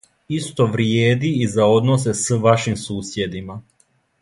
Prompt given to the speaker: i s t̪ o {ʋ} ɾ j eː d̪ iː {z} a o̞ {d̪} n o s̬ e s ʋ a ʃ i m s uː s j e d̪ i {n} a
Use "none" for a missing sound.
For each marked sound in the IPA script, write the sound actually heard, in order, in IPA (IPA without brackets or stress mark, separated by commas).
ʋ, z, d̪, m